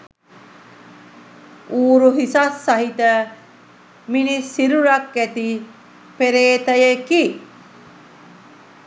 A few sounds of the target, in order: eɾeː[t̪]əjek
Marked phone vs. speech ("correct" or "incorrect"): correct